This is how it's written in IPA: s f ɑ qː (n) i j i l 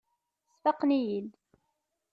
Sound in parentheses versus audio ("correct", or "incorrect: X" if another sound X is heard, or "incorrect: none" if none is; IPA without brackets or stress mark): correct